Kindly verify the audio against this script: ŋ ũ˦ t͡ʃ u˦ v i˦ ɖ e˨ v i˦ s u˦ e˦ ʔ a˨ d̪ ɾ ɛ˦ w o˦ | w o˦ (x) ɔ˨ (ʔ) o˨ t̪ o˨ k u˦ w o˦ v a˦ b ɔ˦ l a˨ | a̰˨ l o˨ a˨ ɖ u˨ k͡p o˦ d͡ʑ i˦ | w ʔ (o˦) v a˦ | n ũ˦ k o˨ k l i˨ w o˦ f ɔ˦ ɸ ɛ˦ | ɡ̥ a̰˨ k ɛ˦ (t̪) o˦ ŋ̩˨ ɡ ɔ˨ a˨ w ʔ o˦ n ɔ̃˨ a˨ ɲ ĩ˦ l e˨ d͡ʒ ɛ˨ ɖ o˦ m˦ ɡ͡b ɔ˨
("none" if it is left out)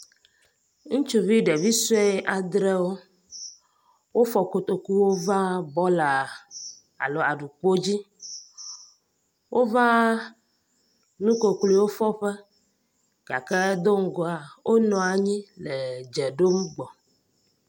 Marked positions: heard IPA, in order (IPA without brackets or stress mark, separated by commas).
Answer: f, k, o˦, d̪